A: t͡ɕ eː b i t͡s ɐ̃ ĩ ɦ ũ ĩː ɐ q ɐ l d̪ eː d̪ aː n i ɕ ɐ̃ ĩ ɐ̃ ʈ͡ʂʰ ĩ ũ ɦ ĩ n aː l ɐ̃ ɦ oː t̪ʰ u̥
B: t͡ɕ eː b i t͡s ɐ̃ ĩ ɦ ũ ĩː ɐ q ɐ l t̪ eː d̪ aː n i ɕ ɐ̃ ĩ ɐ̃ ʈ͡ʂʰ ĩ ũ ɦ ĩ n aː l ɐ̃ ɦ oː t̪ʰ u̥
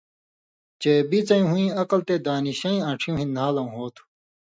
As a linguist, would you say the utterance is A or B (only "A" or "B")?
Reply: B